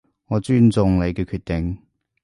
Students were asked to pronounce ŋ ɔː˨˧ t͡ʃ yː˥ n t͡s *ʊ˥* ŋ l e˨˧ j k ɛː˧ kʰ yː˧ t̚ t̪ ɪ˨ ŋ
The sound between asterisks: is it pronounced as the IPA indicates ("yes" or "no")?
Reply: no